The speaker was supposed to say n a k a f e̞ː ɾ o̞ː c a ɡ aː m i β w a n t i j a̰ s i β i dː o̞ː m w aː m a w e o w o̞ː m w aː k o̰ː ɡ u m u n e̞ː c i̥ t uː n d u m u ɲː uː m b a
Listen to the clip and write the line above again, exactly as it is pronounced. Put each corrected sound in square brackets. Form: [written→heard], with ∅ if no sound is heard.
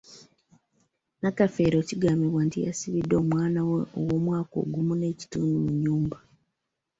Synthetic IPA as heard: n a k a f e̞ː ɾ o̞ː c [a→i] ɡ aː m i β w a n t i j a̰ s i β i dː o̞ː m w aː [m→n] a w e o w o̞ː m w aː k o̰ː ɡ u m u n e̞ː c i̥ t uː n d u m u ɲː uː m b a